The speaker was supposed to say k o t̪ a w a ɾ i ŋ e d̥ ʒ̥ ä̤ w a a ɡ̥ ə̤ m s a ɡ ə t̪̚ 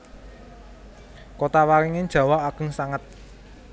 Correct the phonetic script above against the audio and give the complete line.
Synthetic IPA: k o t̪ a w a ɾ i ŋ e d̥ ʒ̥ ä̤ w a a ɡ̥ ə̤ ŋ s a ŋ ə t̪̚